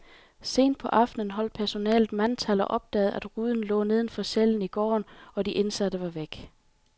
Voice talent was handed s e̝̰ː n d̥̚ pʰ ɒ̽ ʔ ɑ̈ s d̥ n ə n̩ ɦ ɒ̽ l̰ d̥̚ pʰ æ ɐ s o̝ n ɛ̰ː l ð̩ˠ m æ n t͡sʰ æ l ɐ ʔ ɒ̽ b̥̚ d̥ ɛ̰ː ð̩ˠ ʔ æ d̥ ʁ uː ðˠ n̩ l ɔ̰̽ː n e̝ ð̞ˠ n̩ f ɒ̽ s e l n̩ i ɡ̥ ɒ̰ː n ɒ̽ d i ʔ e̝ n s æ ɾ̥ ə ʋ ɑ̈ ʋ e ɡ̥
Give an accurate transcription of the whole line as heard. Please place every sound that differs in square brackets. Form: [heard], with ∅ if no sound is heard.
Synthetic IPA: s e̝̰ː n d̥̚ pʰ ɒ̽ ʔ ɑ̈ [f] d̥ n ə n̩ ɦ ɒ̽ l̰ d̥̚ pʰ æ ɐ s o̝ n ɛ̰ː l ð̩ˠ m æ n t͡sʰ æ l ɐ ʔ ɒ̽ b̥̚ d̥ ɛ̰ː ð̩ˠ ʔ æ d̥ ʁ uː ðˠ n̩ l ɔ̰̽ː n e̝ ð̞ˠ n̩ f ɒ̽ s e l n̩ i ɡ̥ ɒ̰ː n ɒ̽ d i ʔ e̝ n s æ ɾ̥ ə ʋ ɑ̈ ʋ e ɡ̥